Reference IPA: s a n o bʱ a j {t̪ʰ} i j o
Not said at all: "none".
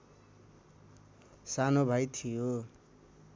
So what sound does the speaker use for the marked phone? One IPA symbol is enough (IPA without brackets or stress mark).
t̪ʰ